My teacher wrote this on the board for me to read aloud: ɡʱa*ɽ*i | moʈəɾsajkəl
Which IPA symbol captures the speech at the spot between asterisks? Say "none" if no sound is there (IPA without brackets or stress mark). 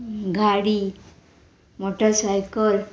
ɽ